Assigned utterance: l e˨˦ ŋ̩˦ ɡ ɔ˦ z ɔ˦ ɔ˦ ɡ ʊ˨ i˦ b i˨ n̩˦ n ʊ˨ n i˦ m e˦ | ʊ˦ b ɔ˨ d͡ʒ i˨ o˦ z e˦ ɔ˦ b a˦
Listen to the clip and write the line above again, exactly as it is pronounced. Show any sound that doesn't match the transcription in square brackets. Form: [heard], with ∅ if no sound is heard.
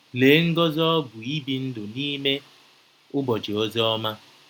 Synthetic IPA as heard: l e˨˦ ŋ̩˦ ɡ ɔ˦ z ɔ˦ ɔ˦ ɡ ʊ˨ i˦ b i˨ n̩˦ [d] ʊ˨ n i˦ m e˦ | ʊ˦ b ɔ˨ d͡ʒ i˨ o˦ z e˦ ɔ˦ [m] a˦